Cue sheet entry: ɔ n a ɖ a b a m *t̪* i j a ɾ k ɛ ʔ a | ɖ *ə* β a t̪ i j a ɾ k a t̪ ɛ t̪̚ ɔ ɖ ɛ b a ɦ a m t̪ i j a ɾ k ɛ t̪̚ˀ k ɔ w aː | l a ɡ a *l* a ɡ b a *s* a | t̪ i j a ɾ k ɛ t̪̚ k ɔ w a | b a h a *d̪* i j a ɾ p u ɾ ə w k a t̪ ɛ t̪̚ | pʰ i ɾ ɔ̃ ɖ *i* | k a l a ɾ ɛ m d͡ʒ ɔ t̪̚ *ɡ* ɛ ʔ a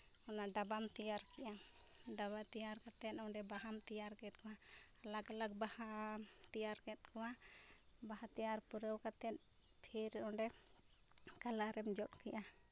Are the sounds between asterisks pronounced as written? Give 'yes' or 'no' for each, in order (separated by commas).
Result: yes, no, yes, no, no, no, no